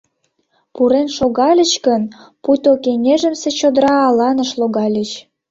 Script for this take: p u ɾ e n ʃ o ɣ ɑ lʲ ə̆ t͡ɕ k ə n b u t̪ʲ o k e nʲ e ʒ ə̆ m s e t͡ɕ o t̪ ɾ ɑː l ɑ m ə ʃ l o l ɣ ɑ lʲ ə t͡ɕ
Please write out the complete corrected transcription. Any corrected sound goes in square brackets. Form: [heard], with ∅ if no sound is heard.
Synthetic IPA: p u ɾ e n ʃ o ɣ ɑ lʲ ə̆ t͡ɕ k ə n [p] u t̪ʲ o k e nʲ e ʒ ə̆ m s e t͡ɕ o [d̪] ɾ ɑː l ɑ [n] ə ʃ l o [∅] ɣ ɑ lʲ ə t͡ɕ